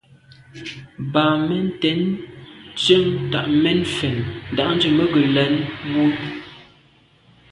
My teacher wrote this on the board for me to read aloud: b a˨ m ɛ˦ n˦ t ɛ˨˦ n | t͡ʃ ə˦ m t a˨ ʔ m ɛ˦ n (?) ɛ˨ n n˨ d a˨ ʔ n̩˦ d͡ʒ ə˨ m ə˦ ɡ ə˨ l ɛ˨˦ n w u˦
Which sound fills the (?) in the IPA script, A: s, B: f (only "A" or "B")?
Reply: B